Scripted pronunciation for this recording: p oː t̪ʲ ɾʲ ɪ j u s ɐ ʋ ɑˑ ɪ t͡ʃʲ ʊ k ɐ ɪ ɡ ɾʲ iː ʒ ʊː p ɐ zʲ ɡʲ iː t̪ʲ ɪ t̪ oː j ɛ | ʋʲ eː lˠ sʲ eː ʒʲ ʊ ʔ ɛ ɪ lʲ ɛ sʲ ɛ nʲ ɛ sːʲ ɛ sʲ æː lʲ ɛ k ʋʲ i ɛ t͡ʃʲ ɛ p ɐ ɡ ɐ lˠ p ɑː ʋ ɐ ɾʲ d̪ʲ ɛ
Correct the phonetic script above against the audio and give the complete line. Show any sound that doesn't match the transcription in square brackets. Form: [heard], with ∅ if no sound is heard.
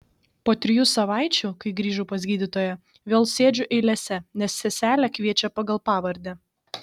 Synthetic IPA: p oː t̪ʲ ɾʲ ɪ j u s ɐ ʋ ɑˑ ɪ t͡ʃʲ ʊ k ɐ ɪ ɡ ɾʲ iː ʒ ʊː p ɐ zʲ ɡʲ iː [d̪ʲ] ɪ t̪ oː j ɛ | ʋʲ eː lˠ sʲ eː [d͡ʒʲ] ʊ ʔ ɛ ɪ lʲ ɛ sʲ ɛ nʲ ɛ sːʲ ɛ sʲ æː lʲ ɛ k ʋʲ i ɛ t͡ʃʲ ɛ p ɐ ɡ ɐ lˠ p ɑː ʋ ɐ ɾʲ d̪ʲ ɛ